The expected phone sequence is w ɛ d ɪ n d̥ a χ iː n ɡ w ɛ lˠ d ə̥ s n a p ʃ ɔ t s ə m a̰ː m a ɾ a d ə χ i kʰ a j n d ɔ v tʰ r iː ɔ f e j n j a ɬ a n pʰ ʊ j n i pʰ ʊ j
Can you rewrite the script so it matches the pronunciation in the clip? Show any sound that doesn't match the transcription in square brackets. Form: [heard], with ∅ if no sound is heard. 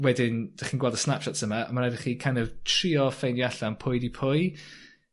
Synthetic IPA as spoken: w ɛ d ɪ n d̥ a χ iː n ɡ w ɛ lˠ d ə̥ s n a p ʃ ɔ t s ə m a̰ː m a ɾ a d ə χ i kʰ a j n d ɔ v tʰ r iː ɔ f e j n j a ɬ a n pʰ ʊ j [d] i pʰ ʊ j